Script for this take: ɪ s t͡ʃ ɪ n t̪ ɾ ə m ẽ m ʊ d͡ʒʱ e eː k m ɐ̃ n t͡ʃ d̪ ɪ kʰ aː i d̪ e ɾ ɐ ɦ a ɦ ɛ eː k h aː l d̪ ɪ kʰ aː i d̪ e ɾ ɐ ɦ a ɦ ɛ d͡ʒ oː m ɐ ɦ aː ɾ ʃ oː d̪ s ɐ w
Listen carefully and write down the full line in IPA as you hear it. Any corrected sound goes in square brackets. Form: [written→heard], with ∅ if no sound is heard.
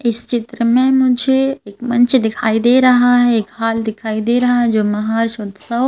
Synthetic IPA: ɪ s t͡ʃ ɪ [n→∅] t̪ ɾ ə m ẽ m ʊ d͡ʒʱ e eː k m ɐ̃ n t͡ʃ d̪ ɪ kʰ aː i d̪ e ɾ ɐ ɦ a ɦ ɛ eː k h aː l d̪ ɪ kʰ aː i d̪ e ɾ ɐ ɦ a ɦ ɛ d͡ʒ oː m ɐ ɦ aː ɾ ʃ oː d̪ s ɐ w

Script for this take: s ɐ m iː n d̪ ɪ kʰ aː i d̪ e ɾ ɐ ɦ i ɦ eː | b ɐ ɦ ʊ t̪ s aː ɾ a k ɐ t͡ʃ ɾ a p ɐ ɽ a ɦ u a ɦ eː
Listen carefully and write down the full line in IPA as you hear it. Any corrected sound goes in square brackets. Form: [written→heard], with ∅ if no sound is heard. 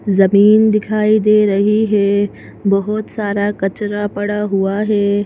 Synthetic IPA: [s→z] ɐ m iː n d̪ ɪ kʰ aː i d̪ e ɾ ɐ ɦ i ɦ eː | b ɐ ɦ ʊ t̪ s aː ɾ a k ɐ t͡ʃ ɾ a p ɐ ɽ a ɦ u a ɦ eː

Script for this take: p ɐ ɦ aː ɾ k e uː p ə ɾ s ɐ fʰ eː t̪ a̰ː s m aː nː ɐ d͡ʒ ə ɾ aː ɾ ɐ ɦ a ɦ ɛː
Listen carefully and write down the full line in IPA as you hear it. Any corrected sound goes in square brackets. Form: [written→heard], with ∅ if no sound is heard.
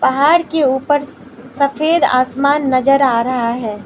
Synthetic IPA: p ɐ ɦ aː ɾ k e uː p ə ɾ s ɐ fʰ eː [t̪→d̪] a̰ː s m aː nː ɐ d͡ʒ ə ɾ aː ɾ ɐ ɦ a ɦ ɛː

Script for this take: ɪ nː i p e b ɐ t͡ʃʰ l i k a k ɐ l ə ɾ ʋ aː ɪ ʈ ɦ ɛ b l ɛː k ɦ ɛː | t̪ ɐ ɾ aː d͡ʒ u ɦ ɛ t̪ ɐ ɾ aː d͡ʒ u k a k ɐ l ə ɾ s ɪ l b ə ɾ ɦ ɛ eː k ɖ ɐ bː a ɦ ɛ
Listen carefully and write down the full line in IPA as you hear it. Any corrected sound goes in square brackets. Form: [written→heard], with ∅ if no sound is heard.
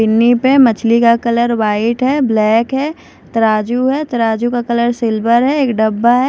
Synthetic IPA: ɪ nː i p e [b→m] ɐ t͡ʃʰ l i k a k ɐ l ə ɾ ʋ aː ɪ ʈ ɦ ɛ b l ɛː k ɦ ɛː | t̪ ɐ ɾ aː d͡ʒ u ɦ ɛ t̪ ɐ ɾ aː d͡ʒ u k a k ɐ l ə ɾ s ɪ l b ə ɾ ɦ ɛ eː k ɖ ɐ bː a ɦ ɛ

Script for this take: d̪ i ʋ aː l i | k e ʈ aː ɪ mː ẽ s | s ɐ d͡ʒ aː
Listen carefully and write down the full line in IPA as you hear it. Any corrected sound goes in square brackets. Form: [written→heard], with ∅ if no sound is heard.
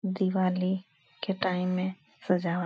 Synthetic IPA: d̪ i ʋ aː l i | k e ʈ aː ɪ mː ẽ [s→∅] | s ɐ d͡ʒ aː

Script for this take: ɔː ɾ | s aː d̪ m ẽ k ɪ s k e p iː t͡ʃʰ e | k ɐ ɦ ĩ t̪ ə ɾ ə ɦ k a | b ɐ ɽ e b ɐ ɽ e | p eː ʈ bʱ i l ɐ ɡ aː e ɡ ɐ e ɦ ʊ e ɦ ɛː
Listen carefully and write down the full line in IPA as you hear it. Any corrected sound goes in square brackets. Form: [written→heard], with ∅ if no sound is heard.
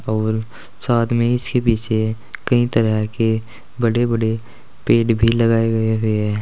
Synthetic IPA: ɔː ɾ | s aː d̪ m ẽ [k→∅] ɪ s k e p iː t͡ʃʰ e | k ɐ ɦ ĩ t̪ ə ɾ ə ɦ k [a→e] | b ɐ ɽ e b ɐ ɽ e | p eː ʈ bʱ i l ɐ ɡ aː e ɡ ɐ e ɦ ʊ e ɦ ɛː

